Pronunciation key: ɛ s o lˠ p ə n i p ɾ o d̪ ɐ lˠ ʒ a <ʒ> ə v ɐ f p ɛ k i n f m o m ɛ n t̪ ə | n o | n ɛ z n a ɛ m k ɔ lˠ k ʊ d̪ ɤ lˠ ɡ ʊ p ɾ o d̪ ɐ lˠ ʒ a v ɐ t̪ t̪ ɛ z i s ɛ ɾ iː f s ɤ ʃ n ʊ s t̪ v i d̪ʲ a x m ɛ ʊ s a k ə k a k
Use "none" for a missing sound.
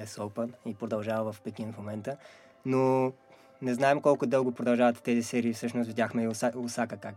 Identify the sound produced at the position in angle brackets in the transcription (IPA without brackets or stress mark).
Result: v